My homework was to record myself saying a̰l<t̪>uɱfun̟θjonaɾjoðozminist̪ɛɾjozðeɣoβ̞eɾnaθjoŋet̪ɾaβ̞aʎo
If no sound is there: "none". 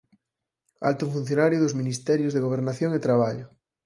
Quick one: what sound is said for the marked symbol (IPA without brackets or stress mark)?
t̪